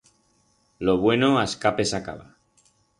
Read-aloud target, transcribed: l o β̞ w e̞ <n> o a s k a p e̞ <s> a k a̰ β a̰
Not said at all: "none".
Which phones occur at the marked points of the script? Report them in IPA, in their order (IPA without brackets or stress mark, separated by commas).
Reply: n, s